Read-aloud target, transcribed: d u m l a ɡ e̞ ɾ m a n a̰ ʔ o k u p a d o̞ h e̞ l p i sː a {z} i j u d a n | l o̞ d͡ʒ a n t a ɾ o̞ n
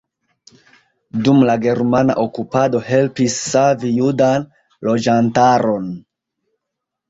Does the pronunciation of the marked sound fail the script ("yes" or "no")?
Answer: yes